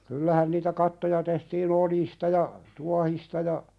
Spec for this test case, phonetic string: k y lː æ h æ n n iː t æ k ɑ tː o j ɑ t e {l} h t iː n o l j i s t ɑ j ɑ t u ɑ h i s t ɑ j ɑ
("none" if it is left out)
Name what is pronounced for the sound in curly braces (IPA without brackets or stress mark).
none